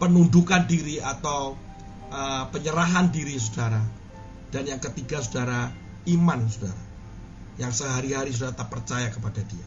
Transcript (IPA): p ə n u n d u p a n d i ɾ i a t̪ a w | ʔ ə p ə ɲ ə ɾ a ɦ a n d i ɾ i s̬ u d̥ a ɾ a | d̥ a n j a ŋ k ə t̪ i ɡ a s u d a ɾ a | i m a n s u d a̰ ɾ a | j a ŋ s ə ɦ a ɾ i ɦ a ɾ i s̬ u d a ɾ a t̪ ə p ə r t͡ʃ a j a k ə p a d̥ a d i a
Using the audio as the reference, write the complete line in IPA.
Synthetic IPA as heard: p ə n u n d u k a n d i ɾ i a t̪ a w | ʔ ə p ə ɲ ə ɾ a ɦ a n d i ɾ i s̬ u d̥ a ɾ a | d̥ a n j a ŋ k ə t̪ i ɡ a s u d a ɾ a | i m a n s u d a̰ ɾ a | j a ŋ s ə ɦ a ɾ i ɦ a ɾ i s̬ u d a ɾ a t̪ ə p ə r t͡ʃ a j a k ə p a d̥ a d i a